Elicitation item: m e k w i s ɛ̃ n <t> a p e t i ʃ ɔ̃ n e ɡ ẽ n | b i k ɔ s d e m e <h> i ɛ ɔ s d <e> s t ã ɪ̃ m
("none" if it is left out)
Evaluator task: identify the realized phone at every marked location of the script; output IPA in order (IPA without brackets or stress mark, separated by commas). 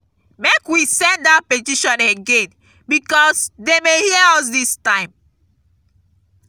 d, h, i